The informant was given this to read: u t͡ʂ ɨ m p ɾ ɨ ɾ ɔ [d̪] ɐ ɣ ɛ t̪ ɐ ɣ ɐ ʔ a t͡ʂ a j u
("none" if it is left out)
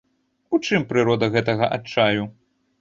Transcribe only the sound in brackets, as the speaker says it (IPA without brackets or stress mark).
d̪